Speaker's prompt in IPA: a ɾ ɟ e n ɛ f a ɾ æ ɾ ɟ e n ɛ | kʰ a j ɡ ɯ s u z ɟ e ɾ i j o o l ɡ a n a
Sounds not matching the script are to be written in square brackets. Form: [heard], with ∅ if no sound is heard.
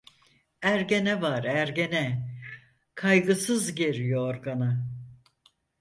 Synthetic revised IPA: [æ] ɾ ɟ e n ɛ [v] a ɾ æ ɾ ɟ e n ɛ | kʰ a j ɡ ɯ s [ɯ] z ɟ e ɾ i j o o [ɾ] ɡ a n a

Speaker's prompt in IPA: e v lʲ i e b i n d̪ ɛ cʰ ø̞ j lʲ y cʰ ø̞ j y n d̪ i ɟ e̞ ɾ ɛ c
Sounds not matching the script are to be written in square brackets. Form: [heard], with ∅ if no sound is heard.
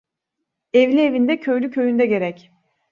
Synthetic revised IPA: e v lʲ i e [v] i n d̪ ɛ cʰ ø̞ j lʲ y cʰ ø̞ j y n d̪ [ɛ] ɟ e̞ ɾ ɛ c

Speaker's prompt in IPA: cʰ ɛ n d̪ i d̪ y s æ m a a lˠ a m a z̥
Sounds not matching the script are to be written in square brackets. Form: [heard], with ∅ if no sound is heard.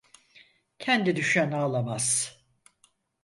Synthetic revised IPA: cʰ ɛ n d̪ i d̪ y [ʃ] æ [n] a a lˠ a m a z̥

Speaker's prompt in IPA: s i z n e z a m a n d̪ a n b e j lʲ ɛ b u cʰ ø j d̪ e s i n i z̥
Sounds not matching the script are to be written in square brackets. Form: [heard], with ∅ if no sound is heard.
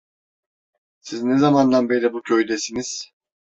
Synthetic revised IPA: s i z n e z a m a n d̪ a n b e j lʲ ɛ b u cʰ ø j d̪ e s i n i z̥

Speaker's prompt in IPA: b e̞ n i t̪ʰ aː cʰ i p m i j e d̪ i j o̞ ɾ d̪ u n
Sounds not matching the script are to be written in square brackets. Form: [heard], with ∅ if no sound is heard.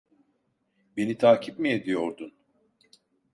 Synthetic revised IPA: b e̞ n i t̪ʰ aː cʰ i p m i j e d̪ i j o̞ ɾ d̪ u n

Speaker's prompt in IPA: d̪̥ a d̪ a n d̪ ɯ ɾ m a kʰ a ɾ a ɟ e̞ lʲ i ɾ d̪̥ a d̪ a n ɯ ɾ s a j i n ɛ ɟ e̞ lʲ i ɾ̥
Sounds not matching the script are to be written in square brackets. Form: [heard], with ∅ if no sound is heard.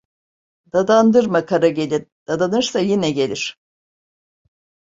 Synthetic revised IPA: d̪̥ a d̪ a n d̪ ɯ ɾ m a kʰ a ɾ a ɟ e̞ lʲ i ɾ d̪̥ a d̪ a n ɯ ɾ s a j i n ɛ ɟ e̞ lʲ i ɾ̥

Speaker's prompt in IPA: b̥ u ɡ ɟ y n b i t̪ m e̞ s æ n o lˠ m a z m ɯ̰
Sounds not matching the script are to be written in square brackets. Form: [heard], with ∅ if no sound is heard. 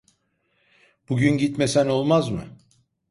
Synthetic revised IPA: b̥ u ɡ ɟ y n [ɟ] i t̪ m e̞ s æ n o lˠ m a z m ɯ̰

